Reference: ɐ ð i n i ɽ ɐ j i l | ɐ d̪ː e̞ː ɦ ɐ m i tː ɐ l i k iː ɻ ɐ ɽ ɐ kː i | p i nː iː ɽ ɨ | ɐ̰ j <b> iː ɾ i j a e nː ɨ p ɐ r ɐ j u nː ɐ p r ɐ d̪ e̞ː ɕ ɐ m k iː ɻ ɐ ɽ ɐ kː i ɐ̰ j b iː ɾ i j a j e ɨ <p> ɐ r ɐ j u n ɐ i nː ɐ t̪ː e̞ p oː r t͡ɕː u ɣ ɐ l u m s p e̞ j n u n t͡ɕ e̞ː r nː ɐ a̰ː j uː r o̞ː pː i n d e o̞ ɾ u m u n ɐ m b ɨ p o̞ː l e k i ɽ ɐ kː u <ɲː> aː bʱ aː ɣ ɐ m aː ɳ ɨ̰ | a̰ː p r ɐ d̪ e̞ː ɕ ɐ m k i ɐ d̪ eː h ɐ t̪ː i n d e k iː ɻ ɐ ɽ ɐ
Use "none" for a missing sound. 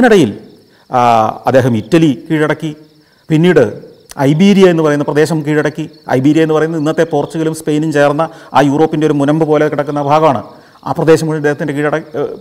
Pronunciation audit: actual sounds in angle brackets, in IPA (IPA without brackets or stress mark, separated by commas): b, p, nː